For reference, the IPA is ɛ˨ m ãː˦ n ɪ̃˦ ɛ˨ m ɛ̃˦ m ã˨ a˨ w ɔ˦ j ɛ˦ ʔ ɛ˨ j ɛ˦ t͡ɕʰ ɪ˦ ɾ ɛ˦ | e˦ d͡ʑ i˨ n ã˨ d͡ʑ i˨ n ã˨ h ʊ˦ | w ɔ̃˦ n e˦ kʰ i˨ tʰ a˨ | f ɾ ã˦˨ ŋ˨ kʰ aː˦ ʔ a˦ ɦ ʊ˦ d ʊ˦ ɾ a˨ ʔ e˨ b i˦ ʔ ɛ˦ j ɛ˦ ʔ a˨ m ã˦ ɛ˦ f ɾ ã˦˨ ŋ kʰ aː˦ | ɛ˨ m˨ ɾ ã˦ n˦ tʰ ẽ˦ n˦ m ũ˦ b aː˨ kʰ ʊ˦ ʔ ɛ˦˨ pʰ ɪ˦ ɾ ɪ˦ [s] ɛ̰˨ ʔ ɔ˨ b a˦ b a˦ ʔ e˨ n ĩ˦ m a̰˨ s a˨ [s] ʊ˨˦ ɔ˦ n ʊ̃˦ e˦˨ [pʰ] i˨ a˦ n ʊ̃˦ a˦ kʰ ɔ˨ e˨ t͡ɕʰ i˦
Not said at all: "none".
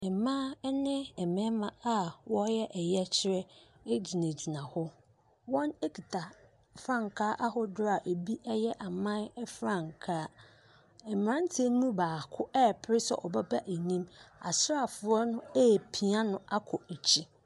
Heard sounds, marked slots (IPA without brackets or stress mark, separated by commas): s, f, pʰ